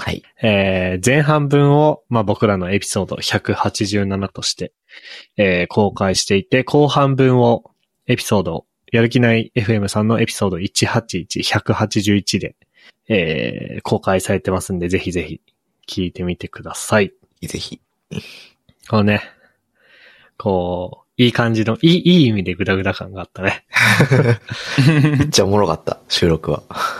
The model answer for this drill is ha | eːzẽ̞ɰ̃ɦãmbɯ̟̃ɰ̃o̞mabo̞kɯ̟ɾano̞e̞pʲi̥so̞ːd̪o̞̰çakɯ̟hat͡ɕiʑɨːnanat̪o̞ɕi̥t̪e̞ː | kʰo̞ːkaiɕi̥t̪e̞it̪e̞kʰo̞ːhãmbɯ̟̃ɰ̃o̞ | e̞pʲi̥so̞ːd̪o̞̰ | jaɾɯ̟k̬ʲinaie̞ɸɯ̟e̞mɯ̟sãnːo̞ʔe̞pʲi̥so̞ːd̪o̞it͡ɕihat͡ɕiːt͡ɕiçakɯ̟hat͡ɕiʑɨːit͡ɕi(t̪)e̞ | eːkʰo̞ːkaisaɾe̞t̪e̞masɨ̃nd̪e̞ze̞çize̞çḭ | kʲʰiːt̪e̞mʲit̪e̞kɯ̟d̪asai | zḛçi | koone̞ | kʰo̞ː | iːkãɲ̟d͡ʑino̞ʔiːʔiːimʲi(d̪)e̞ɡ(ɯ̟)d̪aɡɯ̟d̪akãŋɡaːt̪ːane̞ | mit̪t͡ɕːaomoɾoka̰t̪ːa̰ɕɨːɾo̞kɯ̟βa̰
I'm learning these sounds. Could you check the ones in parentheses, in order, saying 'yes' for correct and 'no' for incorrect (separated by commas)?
no, yes, yes